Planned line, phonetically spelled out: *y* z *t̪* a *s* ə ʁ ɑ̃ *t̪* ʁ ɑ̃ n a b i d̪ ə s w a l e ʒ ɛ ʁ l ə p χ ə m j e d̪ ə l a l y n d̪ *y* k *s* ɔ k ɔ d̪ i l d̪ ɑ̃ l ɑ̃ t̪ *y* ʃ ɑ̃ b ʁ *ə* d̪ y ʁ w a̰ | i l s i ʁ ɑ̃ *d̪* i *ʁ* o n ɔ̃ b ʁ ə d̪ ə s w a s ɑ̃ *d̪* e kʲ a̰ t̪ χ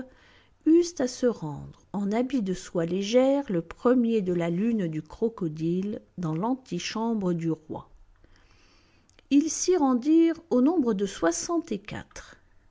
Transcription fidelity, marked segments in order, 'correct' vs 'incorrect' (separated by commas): correct, correct, correct, incorrect, correct, incorrect, incorrect, correct, correct, correct, incorrect